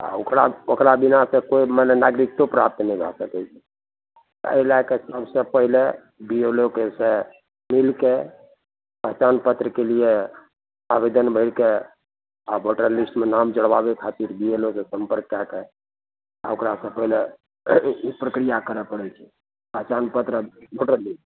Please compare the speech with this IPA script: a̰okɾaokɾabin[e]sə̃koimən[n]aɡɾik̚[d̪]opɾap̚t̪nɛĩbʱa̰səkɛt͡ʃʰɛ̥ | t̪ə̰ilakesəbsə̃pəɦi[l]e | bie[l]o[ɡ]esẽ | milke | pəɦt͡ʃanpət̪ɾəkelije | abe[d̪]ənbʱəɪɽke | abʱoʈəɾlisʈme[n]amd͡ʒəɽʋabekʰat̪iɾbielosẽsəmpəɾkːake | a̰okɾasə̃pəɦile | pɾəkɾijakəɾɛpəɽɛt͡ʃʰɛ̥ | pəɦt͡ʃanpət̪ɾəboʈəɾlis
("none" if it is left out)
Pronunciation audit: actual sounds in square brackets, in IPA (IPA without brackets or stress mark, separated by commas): a, n, t̪, l, l, k, d̪, n